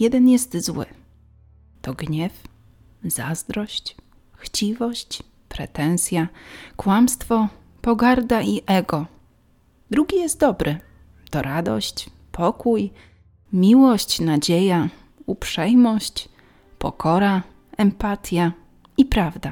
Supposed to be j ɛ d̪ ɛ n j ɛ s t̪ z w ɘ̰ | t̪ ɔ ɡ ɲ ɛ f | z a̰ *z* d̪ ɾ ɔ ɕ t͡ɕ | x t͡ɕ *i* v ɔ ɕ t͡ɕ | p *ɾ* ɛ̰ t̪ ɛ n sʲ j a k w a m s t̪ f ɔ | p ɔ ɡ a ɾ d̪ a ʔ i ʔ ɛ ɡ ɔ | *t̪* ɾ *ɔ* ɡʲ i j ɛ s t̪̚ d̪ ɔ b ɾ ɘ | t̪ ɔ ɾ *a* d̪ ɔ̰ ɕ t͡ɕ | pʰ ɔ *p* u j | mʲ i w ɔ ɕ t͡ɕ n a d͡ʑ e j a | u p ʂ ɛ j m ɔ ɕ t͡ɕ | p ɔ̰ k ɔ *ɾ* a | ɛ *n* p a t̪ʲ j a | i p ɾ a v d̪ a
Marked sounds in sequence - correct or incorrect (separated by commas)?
correct, correct, correct, incorrect, incorrect, correct, incorrect, correct, incorrect